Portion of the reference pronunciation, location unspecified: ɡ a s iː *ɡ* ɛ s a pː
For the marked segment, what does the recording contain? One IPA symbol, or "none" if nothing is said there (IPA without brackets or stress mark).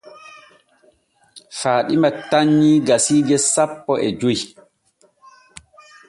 ɡ